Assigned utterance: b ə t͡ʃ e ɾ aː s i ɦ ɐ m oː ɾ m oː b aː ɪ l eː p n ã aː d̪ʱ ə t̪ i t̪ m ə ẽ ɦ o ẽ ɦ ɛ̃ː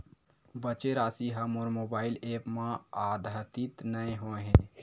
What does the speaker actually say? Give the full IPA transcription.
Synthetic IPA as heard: b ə t͡ʃ e ɾ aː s i ɦ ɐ m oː ɾ m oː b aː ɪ l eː p m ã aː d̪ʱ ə t̪ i t̪ n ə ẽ ɦ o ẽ ɦ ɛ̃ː